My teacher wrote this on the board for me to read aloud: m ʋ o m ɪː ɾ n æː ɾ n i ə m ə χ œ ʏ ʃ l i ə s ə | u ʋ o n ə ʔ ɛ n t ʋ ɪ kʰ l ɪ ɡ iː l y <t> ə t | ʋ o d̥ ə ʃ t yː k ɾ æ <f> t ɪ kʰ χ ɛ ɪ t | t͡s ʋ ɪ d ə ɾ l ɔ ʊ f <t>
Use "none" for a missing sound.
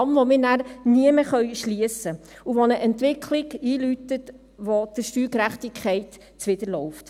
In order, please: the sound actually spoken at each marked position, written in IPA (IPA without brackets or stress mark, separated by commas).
t, χ, t